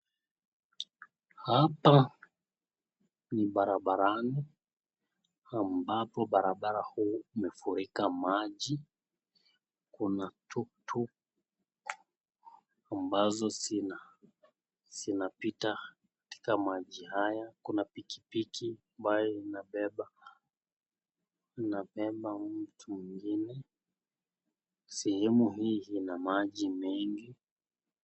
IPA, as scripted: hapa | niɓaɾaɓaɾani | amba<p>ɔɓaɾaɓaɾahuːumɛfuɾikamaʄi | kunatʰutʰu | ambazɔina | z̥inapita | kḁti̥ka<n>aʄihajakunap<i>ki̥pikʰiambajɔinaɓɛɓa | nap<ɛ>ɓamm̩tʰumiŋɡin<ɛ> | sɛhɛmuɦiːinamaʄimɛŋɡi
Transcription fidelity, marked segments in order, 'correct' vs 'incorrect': correct, incorrect: m, correct, correct, correct

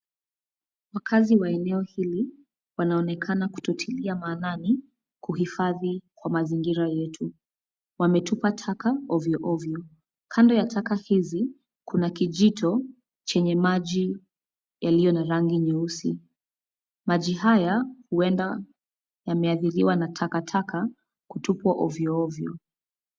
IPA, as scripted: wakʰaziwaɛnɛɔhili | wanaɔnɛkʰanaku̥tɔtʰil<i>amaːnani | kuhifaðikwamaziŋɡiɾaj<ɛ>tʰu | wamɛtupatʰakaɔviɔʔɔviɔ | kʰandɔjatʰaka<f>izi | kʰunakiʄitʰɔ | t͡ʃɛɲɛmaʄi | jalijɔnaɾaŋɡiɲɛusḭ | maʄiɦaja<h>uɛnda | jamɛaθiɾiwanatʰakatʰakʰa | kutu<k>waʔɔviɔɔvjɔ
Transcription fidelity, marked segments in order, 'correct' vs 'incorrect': correct, correct, incorrect: h, correct, incorrect: p

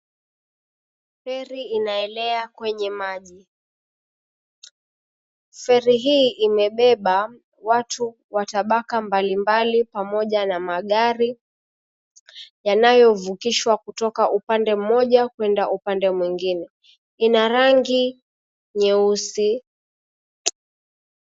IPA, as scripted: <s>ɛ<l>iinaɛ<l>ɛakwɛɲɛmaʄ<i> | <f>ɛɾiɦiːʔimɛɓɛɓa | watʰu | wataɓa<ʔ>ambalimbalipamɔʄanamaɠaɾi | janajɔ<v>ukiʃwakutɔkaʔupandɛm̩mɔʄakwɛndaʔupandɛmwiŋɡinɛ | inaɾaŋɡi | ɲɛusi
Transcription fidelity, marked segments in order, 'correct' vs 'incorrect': incorrect: f, incorrect: ɾ, correct, correct, correct, incorrect: k, correct

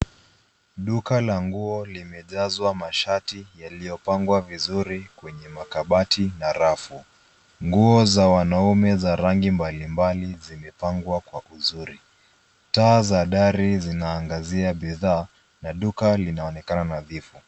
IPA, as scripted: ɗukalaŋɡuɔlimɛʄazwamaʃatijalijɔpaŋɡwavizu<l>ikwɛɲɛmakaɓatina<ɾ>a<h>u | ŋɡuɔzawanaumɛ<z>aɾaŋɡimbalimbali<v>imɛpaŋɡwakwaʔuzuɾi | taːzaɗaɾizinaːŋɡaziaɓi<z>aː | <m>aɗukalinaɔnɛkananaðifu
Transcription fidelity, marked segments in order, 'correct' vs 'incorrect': incorrect: ɾ, correct, incorrect: f, correct, incorrect: z, incorrect: ð, incorrect: n

